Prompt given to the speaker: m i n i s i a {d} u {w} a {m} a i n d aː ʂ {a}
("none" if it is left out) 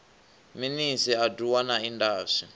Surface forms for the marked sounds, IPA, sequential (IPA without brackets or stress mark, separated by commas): d, w, n, i